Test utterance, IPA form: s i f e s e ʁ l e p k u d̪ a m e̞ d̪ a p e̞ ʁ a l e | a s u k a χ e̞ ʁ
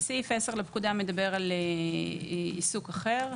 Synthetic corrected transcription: s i f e s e ʁ l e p k u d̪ a m e̞ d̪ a b e̞ ʁ a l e | i s u k a χ e̞ ʁ